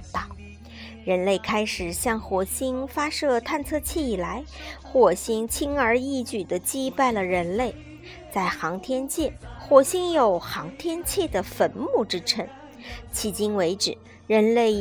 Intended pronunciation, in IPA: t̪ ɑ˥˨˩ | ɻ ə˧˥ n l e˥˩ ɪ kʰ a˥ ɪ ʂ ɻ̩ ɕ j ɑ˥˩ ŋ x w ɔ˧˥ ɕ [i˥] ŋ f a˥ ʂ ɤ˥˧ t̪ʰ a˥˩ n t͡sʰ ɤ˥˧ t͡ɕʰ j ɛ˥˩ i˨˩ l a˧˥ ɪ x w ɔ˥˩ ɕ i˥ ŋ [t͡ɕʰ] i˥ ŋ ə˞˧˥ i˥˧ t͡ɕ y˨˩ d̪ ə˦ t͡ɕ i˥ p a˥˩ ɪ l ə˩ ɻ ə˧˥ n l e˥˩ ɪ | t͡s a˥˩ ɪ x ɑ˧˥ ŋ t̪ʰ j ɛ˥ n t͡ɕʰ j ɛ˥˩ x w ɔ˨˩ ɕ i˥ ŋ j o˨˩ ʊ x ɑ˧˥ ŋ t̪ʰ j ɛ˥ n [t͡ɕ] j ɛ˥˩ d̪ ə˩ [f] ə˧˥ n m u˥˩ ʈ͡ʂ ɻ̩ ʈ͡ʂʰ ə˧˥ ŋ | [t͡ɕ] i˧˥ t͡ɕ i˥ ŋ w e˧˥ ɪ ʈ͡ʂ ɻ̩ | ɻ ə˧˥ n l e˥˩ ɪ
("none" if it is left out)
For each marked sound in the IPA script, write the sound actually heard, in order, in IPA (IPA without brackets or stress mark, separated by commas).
i˥, t͡ɕʰ, t͡ɕʰ, f, t͡ɕʰ